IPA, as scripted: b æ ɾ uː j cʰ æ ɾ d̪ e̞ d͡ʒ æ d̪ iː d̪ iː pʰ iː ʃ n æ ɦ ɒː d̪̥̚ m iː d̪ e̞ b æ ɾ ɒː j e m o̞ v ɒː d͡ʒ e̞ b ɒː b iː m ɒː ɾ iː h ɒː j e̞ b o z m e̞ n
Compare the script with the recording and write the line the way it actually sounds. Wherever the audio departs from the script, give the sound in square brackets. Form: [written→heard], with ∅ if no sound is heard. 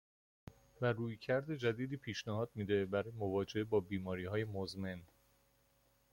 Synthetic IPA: [b→v] æ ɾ uː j cʰ æ ɾ d̪ e̞ d͡ʒ æ d̪ iː d̪ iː pʰ iː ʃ n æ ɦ ɒː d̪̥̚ m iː d̪ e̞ b æ ɾ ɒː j e m o̞ v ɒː d͡ʒ e̞ b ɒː b iː m ɒː ɾ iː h ɒː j e̞ [b→m] o z m e̞ n